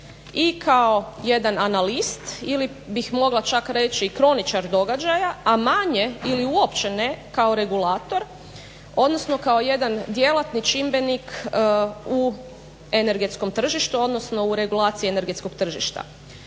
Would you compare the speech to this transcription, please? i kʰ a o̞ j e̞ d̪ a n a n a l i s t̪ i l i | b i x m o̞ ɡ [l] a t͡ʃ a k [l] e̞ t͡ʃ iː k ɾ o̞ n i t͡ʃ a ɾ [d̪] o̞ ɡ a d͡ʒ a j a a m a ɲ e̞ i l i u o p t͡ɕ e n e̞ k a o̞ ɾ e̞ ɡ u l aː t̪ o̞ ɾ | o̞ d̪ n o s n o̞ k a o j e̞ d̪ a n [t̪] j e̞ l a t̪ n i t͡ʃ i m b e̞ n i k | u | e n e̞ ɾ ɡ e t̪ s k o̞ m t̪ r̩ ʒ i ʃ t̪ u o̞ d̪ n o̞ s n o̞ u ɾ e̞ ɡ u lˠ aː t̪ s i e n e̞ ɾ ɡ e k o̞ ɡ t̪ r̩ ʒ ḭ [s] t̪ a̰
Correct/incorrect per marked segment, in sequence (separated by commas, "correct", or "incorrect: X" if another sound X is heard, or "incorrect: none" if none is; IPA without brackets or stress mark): correct, incorrect: ɾ, correct, incorrect: d̪, incorrect: ʃ